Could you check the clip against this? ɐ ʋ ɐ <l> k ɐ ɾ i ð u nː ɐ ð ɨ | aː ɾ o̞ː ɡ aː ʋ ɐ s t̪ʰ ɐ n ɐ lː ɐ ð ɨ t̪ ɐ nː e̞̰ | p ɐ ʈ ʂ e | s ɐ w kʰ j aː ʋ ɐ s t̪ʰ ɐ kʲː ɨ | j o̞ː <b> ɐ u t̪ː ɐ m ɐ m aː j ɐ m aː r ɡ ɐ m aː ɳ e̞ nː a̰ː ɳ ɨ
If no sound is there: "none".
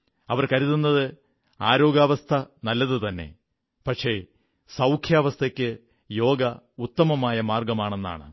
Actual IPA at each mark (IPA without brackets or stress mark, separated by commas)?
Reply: r, ɡ